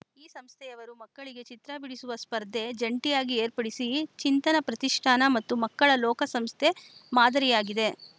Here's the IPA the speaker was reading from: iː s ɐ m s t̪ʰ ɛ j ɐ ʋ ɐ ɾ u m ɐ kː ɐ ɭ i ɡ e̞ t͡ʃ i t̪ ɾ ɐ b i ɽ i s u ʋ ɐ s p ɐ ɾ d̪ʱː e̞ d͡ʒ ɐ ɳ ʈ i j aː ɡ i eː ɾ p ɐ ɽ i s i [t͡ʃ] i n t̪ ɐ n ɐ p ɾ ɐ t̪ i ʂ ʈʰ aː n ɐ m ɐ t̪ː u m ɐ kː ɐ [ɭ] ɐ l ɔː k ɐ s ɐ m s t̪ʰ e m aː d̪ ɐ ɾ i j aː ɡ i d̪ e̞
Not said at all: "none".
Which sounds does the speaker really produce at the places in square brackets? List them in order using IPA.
t͡ʃ, ɭ

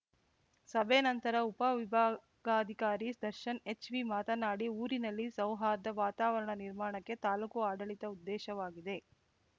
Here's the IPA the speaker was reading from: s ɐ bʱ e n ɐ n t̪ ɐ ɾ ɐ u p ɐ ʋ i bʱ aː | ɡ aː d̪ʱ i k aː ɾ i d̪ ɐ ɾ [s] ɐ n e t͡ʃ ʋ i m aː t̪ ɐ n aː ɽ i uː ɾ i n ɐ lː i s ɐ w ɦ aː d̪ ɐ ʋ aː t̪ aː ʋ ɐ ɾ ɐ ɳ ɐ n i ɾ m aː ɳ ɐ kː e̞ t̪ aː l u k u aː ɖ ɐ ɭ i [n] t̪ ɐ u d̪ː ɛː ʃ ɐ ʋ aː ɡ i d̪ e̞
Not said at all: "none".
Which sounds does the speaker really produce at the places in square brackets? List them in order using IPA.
ʃ, none

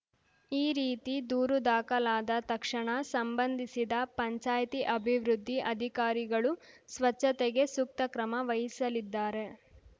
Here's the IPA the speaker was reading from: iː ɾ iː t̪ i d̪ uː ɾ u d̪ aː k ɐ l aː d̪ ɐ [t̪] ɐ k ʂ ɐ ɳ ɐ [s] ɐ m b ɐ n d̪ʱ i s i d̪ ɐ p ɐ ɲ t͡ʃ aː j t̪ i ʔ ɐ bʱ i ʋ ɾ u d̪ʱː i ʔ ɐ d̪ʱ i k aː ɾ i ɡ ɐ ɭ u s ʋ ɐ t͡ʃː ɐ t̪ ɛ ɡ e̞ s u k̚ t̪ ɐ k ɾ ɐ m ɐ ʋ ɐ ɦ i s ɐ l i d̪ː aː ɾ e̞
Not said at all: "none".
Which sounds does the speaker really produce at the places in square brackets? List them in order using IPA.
t̪, s

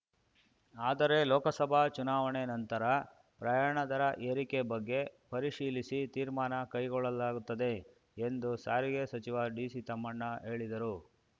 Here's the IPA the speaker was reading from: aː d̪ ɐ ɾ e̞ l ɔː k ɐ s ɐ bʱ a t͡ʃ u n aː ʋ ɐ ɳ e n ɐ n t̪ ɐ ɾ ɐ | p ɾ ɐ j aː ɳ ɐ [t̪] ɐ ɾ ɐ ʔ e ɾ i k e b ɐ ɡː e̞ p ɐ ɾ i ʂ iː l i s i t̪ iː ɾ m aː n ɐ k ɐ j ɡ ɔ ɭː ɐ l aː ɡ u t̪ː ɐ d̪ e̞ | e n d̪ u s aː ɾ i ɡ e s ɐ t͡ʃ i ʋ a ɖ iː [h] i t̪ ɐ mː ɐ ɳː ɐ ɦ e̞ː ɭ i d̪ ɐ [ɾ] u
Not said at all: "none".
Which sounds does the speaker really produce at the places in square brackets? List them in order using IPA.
d̪, s, ɾ

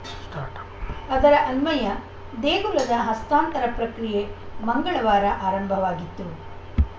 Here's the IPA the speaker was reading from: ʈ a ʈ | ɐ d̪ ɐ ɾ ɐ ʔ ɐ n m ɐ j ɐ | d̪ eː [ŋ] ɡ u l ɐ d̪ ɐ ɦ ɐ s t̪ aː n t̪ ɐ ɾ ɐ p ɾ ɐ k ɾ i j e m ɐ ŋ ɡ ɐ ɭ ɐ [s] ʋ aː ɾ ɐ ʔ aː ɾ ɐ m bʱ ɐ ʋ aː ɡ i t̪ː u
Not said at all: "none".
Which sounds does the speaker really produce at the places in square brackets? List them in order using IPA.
none, none

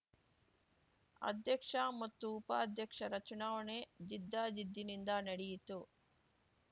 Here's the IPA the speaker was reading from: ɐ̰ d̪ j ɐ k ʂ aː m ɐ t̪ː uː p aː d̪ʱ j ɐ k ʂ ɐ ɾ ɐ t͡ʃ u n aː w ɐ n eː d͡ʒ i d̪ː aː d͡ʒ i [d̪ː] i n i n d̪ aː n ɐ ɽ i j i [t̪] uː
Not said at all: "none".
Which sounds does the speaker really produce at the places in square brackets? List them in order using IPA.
d̪ː, t̪

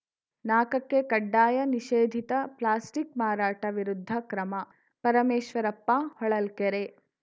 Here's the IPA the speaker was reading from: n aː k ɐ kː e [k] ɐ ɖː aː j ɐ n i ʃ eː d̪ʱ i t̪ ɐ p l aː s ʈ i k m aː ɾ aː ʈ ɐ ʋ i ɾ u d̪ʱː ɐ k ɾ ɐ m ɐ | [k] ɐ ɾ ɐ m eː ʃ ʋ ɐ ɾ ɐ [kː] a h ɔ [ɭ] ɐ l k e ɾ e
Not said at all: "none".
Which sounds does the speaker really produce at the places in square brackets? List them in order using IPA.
k, p, pː, ɭ

